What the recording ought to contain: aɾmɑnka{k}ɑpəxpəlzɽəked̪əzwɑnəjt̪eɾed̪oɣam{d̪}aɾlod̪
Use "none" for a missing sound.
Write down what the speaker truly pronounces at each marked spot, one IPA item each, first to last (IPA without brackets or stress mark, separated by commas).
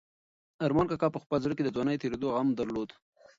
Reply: k, d̪